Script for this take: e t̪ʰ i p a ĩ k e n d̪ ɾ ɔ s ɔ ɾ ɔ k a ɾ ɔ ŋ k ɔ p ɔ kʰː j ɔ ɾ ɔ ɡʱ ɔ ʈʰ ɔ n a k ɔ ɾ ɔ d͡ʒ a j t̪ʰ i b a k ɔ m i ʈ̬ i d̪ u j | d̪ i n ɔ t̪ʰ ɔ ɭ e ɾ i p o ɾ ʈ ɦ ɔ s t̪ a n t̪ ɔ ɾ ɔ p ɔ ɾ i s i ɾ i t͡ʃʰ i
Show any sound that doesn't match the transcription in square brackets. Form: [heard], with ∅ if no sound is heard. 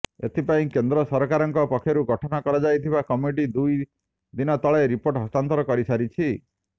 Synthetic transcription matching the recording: e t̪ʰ i p a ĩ k e n d̪ ɾ ɔ s ɔ ɾ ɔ k a ɾ ɔ ŋ k ɔ p ɔ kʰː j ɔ ɾ [u] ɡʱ ɔ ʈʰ ɔ n a k ɔ ɾ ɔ d͡ʒ a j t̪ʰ i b a k ɔ m i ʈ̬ i d̪ u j | d̪ i n ɔ [t̪] ɔ ɭ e ɾ i p o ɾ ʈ ɦ ɔ s t̪ a n t̪ ɔ ɾ ɔ [k] ɔ ɾ i s [a] ɾ i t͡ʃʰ i